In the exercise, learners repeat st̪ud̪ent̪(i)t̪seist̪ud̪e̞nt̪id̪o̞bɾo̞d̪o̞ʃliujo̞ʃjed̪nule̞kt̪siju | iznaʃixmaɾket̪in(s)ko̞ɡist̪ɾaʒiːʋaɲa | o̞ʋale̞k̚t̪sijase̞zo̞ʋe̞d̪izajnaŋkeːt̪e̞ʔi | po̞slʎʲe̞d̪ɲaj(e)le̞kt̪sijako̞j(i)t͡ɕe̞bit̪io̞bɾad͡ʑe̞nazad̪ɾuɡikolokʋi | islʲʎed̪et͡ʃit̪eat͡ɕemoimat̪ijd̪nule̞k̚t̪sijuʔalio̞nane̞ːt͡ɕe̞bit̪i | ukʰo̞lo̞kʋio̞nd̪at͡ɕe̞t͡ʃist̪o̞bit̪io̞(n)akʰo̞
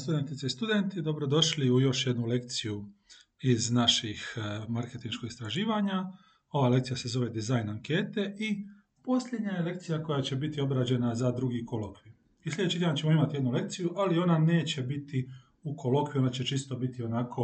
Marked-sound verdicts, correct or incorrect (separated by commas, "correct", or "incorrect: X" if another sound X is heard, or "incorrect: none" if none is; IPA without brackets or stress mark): correct, incorrect: ʃ, correct, incorrect: a, correct